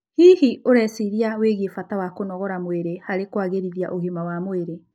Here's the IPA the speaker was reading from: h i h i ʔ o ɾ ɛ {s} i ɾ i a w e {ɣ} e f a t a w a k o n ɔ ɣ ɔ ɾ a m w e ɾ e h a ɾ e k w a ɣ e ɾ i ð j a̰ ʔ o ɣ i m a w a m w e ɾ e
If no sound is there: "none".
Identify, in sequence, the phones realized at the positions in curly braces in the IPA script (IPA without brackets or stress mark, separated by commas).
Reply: s, ɣ